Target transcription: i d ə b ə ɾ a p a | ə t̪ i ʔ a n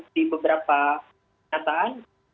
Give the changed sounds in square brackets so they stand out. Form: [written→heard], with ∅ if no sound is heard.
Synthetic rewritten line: i [d→b] ə b ə ɾ a p a | [ə→a] t̪ [i→a] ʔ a n